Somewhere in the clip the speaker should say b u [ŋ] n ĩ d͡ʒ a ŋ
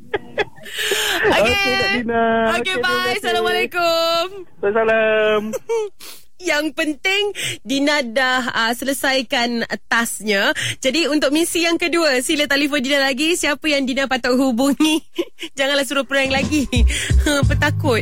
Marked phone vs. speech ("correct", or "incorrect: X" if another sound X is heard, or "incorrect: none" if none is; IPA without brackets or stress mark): correct